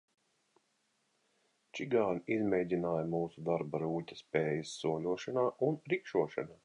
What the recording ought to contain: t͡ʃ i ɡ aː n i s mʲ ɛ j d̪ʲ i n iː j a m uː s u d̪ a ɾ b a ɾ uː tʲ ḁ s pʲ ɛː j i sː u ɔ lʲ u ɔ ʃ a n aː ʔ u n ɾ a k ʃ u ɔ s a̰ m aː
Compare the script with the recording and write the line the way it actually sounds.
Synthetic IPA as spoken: t͡ʃ i ɡ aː n i z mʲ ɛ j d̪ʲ i n aː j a m uː s u d̪ a ɾ b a ɾ uː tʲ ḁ s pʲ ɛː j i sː u ɔ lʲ u ɔ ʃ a n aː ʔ u n ɾ i k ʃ u ɔ ʃ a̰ n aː